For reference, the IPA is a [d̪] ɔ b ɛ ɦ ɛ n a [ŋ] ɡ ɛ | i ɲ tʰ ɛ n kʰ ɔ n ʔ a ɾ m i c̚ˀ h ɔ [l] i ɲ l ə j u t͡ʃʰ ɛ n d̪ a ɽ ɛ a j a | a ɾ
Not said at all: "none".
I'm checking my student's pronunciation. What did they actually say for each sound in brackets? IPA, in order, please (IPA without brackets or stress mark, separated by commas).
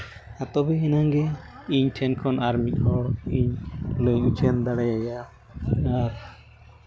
t̪, ŋ, ɽ